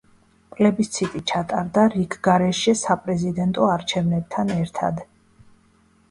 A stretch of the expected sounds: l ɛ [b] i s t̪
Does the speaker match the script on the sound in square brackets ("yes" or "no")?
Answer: yes